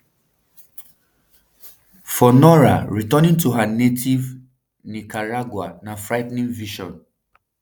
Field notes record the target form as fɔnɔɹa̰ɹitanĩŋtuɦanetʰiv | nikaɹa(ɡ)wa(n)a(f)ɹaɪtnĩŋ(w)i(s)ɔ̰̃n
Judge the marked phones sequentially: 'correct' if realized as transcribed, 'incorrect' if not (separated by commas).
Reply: correct, correct, correct, incorrect, incorrect